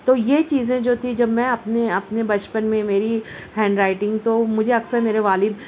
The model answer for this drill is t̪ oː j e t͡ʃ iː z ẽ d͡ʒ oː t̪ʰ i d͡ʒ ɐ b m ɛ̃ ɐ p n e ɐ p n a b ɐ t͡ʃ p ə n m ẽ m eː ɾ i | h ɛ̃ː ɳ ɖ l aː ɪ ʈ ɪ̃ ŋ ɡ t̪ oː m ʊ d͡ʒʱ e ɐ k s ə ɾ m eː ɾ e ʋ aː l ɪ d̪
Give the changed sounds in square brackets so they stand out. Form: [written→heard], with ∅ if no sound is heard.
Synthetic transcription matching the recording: t̪ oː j e t͡ʃ iː z ẽ d͡ʒ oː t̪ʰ i d͡ʒ ɐ b m ɛ̃ ɐ p n e ɐ p n [a→e] b ɐ t͡ʃ p ə n m ẽ m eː ɾ i | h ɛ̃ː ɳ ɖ [l→ɾ] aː ɪ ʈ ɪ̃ ŋ ɡ t̪ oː m ʊ d͡ʒʱ e ɐ k s ə ɾ m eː ɾ e ʋ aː l ɪ d̪